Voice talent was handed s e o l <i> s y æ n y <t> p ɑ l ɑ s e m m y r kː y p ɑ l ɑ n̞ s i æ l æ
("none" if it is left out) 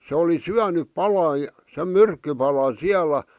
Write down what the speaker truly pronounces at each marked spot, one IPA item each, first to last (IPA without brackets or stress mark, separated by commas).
i, p